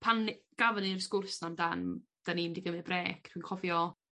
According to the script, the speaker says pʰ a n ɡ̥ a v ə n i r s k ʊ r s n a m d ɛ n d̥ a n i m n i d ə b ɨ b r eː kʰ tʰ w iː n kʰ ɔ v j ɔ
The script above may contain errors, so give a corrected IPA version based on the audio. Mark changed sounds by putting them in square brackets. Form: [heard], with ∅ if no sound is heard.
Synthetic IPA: pʰ a n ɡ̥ a v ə n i r s k ʊ r s n a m d [a] n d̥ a n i m [d] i [ɡ] ə [m] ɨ b r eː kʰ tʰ w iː n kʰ ɔ v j ɔ